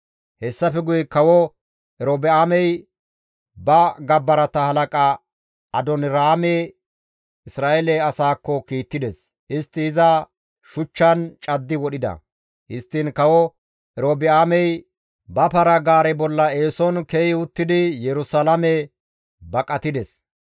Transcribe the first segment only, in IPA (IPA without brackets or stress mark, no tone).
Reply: h